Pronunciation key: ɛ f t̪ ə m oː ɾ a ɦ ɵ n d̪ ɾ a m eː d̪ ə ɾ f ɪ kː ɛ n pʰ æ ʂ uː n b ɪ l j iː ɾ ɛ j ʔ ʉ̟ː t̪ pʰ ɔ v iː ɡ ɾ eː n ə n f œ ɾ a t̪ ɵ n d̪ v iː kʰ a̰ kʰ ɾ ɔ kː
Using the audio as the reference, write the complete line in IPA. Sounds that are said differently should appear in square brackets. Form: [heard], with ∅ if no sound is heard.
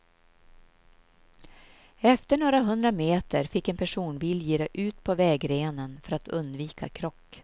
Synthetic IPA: ɛ f t̪ ə [ɳ] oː ɾ a ɦ ɵ n d̪ ɾ a m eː [t̪] ə ɾ f ɪ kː ɛ n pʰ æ ʂ uː n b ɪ l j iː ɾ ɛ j ʔ ʉ̟ː t̪ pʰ ɔ v [ɛː] ɡ ɾ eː n ə n f œ ɾ a t̪ ɵ n d̪ v iː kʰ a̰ kʰ ɾ ɔ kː

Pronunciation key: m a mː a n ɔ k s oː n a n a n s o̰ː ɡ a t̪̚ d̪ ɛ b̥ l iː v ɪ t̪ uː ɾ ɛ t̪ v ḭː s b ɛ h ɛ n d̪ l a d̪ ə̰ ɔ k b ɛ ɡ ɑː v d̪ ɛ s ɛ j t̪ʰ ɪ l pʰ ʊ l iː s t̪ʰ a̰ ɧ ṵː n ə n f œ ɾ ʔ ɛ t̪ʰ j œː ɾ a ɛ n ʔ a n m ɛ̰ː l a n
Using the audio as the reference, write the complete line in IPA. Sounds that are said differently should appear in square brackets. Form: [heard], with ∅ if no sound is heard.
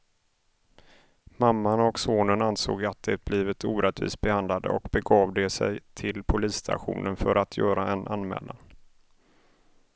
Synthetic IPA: m a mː a n ɔ k s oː n [ə] n a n s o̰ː ɡ a t̪̚ d̪ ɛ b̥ l iː v ɪ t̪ uː ɾ ɛ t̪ v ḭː s b ɛ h [a] n d̪ l a d̪ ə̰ ɔ k b ɛ ɡ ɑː v d̪ ɛ s ɛ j t̪ʰ ɪ l pʰ ʊ l iː s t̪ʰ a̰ ɧ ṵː n ə n f œ ɾ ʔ [a] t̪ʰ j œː ɾ a ɛ n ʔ a n m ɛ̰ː l a n

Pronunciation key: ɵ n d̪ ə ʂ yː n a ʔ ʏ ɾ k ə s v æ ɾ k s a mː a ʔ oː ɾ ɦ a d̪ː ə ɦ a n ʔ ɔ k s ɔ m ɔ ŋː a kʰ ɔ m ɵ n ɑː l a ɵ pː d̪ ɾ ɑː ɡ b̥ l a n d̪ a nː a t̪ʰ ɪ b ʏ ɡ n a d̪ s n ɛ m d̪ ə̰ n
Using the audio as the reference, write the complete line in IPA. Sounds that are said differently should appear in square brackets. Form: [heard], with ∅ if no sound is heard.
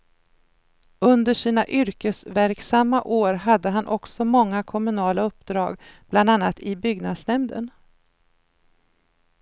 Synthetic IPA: ɵ n d̪ ə ʂ [iː] n a ʔ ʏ ɾ k ə s v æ ɾ k s a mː a ʔ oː ɾ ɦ a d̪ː ə ɦ a n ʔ ɔ k s ɔ m ɔ ŋː a kʰ ɔ m ɵ n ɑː l a ɵ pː d̪ ɾ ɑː ɡ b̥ l a n d̪ a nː a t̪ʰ ɪ b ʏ ɡ n a d̪ s n ɛ m d̪ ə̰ n

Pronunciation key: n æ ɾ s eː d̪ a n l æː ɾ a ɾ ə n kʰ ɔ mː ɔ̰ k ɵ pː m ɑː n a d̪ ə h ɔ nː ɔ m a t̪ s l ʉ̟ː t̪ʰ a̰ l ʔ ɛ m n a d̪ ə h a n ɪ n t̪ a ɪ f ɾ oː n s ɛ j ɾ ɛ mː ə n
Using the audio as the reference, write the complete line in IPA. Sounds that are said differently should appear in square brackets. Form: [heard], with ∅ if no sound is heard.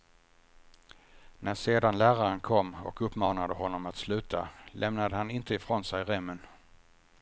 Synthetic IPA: n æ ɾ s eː d̪ a n l æː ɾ a ɾ ə n kʰ ɔ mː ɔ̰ k ɵ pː m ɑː n a d̪ ə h ɔ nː ɔ m a t̪ s l ʉ̟ː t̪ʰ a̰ l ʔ ɛ m n a d̪ ə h a n ɪ n t̪ [ə] ɪ f ɾ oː n s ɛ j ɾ ɛ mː ə n

